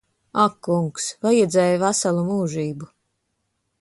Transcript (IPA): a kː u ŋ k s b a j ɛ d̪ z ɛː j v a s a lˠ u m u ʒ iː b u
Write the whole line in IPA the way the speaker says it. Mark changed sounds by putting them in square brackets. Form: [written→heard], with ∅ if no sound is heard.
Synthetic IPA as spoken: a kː u ŋ k s [b→v] a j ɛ d̪ z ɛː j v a s a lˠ u m [u→uː] ʒ iː b u